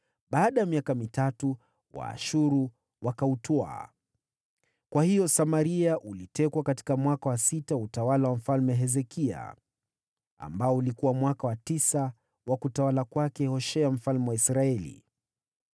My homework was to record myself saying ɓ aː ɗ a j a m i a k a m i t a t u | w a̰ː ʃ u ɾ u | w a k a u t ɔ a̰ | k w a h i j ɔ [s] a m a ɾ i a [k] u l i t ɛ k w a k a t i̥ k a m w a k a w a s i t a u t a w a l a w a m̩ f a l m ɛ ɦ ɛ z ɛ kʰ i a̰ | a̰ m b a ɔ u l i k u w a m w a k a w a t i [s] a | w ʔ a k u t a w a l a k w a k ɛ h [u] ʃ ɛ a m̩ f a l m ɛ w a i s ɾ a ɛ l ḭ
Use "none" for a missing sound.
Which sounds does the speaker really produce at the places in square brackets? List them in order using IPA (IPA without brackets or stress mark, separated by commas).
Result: s, ʔ, s, ɔ